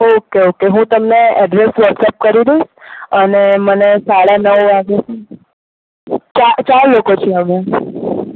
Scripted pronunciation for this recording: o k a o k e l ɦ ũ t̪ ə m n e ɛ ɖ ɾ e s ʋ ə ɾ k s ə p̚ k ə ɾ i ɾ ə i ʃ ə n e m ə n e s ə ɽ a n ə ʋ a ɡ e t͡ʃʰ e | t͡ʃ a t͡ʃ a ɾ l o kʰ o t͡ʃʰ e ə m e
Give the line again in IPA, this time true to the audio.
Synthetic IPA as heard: o k e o k e ɦ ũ t̪ ə m n e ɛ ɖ ɾ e s ʋ ə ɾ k s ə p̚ k ə ɾ i ɾ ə i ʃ ə n e m ə n e s a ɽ a n ə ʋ a ɡ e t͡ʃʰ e | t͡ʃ a t͡ʃ a ɾ l o k o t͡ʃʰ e ə m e